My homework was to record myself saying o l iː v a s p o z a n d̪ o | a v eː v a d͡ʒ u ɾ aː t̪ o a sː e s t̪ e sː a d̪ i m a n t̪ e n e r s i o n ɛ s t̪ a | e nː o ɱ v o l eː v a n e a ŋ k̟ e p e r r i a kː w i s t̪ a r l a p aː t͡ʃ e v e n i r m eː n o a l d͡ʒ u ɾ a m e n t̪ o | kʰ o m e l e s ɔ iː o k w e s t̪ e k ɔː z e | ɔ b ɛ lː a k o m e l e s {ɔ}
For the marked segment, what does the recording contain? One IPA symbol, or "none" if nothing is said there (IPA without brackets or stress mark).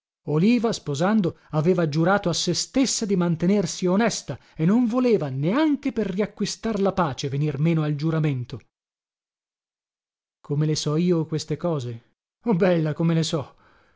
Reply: ɔ